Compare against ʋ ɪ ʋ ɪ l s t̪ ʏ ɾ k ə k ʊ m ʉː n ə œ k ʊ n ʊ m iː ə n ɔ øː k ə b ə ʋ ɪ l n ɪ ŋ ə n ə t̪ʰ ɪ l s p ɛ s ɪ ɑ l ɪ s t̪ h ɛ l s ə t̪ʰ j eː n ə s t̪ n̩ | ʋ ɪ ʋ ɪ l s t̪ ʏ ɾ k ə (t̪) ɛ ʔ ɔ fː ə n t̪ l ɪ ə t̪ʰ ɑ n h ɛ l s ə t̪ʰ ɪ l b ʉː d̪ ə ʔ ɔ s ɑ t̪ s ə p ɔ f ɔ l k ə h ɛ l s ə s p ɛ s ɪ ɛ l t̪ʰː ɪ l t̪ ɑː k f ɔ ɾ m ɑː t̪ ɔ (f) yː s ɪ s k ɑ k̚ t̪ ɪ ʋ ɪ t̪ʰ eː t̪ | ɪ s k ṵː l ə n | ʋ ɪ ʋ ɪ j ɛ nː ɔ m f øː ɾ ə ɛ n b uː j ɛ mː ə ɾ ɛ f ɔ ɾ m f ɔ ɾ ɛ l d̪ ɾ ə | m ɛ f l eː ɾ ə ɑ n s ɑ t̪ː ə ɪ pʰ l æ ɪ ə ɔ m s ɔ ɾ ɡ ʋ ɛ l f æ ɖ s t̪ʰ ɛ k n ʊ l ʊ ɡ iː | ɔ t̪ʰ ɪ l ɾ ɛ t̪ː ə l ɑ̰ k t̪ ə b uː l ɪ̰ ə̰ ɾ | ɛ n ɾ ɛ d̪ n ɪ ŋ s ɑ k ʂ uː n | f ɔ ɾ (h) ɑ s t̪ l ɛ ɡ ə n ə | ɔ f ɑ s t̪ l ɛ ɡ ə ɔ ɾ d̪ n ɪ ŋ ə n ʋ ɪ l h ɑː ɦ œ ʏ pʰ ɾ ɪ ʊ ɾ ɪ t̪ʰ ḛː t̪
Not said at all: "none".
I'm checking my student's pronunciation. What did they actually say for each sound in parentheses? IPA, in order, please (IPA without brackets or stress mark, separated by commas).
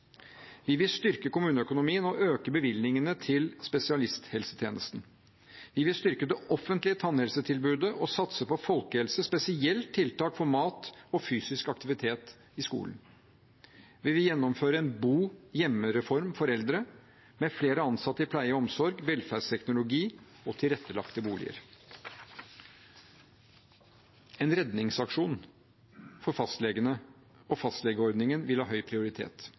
d̪, f, f